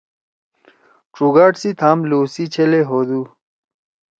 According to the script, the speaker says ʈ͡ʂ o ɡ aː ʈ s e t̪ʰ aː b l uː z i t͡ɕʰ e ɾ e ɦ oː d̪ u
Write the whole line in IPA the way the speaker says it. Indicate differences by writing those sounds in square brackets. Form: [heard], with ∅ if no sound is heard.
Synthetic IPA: ʈ͡ʂ [u] ɡ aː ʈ s [i] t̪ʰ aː [m] l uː [s] i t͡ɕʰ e [l] e ɦ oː d̪ u